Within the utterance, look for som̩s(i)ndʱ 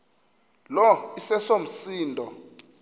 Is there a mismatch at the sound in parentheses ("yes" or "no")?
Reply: yes